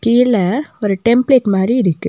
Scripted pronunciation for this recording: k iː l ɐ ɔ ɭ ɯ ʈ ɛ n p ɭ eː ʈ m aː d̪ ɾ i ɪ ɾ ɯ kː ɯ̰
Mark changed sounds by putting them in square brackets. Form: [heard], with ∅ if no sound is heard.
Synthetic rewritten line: k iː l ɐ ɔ [ɾ] ɯ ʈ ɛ [m] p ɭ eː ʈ m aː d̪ ɾ i ɪ ɾ ɯ kː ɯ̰